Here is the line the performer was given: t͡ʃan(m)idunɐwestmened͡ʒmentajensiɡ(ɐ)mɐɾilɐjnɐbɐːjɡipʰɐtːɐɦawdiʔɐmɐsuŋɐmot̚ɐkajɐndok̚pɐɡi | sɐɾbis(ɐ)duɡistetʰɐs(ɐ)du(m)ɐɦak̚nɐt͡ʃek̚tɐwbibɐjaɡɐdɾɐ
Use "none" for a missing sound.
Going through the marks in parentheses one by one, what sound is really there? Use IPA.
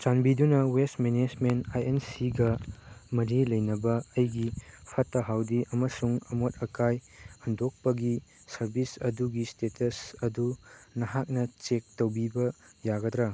b, ɐ, ɐ, ɐ, n

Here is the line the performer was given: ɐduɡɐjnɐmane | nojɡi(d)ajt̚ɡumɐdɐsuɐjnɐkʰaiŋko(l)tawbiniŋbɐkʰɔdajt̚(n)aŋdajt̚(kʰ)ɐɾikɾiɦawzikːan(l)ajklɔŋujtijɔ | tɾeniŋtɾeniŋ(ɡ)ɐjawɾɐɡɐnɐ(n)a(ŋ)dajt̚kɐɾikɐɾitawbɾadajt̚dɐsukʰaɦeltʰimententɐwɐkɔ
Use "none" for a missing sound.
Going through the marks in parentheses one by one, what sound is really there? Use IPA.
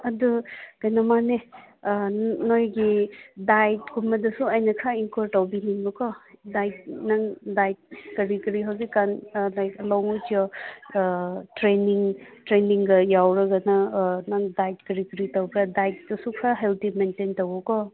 d, ɾ, n, k, l, ɡ, n, ŋ

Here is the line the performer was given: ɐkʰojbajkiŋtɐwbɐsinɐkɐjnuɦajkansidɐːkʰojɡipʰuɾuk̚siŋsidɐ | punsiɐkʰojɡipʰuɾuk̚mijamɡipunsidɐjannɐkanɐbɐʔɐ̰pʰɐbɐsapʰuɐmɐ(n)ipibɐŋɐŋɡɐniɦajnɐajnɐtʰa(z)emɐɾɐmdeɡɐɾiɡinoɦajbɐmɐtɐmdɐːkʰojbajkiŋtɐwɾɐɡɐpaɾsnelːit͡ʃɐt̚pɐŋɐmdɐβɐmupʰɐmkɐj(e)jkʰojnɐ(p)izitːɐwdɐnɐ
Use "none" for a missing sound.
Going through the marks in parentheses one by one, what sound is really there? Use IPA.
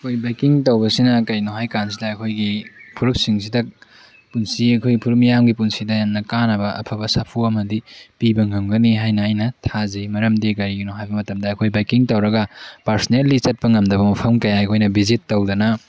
d, z, a, b

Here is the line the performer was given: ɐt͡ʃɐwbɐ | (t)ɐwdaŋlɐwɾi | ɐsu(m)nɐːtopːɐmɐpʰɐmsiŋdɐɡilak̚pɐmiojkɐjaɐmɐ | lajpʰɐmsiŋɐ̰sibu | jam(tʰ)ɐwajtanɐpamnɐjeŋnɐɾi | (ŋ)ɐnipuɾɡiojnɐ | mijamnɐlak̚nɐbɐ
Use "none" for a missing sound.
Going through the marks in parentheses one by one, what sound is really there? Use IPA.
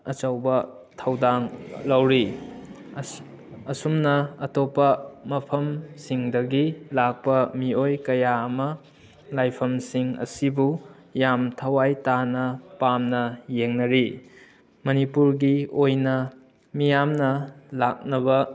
tʰ, m, tʰ, m

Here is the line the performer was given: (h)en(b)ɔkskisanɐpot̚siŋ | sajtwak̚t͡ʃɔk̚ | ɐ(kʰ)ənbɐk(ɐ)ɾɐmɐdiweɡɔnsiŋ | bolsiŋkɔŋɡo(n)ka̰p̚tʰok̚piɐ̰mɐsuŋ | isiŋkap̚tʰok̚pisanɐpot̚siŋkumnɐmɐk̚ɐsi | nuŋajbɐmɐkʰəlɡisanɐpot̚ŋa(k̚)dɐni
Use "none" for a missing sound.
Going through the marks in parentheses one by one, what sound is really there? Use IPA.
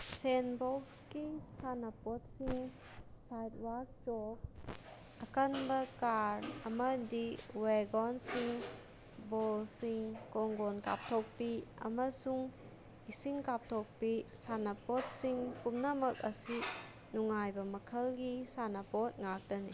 s, b, k, a, n, k̚

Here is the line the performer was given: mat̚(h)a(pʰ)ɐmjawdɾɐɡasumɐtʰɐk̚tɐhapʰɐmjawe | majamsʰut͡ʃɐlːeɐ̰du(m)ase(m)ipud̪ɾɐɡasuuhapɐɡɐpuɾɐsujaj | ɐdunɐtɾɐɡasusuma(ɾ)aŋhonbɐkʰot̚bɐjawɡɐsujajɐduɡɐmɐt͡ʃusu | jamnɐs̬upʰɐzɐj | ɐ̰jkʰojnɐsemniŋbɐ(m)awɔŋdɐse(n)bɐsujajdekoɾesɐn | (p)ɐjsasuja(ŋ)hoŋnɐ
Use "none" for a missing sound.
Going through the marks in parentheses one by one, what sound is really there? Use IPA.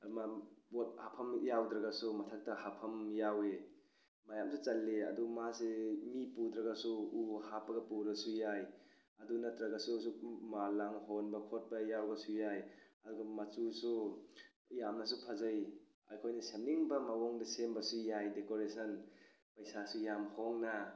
h, pʰ, m, m, l, m, m, p, m

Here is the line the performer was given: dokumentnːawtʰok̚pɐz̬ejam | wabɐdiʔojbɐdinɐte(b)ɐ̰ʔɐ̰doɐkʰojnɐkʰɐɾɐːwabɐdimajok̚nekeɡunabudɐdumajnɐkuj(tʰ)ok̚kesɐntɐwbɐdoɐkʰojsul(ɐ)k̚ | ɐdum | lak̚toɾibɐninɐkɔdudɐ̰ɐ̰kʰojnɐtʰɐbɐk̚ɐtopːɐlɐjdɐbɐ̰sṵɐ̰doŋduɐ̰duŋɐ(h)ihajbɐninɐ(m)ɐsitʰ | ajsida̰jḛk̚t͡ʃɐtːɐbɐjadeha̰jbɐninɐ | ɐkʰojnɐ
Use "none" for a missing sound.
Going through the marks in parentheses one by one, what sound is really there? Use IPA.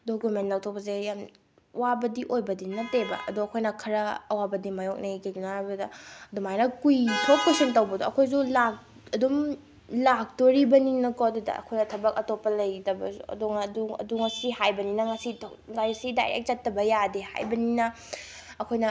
b, tʰ, a, s, ŋ

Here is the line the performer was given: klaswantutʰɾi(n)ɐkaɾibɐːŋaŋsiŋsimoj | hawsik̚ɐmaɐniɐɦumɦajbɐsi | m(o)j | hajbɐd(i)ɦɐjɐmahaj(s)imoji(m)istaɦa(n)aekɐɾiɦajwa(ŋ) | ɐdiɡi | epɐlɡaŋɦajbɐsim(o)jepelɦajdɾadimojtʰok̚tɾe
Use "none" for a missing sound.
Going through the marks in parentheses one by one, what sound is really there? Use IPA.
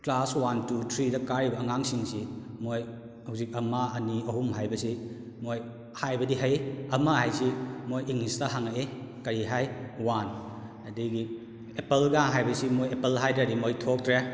d, o, i, s, ŋ, ŋ, n, o

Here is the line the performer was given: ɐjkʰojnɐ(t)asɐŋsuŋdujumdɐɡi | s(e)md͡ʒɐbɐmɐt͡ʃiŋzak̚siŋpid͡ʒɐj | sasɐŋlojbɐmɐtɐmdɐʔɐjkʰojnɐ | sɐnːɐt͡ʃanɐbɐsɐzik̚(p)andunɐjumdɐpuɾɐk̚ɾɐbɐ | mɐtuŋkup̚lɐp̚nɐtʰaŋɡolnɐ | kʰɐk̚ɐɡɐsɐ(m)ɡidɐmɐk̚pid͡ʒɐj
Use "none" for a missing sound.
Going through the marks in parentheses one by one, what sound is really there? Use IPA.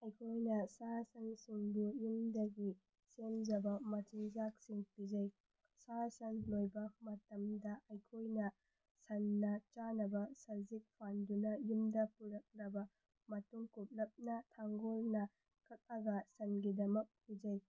s, e, pʰ, n

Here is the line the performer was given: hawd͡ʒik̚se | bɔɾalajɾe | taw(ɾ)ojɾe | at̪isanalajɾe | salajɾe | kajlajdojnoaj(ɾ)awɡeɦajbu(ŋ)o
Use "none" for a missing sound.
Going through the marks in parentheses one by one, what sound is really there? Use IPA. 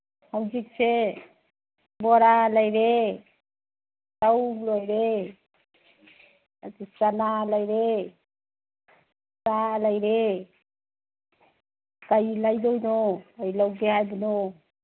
l, l, n

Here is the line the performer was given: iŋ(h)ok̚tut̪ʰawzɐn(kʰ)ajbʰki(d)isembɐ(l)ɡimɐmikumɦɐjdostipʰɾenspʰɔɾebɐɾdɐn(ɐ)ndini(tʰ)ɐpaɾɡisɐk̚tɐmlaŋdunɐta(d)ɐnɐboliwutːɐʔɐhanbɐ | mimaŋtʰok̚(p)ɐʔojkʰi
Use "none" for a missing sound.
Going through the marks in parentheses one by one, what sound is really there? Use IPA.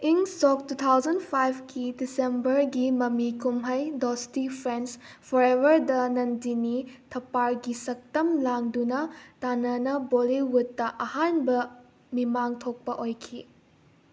s, pʰ, d, ɾ, ɐ, tʰ, n, p

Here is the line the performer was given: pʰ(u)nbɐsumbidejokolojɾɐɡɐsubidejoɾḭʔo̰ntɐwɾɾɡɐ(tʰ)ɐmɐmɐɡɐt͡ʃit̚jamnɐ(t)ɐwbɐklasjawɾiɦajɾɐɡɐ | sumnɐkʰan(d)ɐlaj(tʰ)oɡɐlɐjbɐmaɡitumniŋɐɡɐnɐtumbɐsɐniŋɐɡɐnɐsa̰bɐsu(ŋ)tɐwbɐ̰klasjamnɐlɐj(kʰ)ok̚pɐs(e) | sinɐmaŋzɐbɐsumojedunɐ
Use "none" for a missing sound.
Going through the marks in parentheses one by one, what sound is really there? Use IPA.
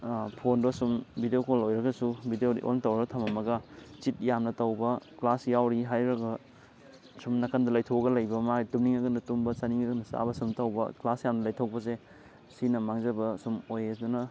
o, tʰ, t, d, tʰ, m, tʰ, e

